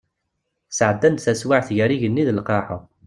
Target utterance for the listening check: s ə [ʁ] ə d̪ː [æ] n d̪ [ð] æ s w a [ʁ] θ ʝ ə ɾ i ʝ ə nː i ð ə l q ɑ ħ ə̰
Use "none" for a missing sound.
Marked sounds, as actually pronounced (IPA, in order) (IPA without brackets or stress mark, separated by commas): ʕ, æ, θ, ʕ